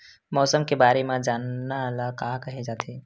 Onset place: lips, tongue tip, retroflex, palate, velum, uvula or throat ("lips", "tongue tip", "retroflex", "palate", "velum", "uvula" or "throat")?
lips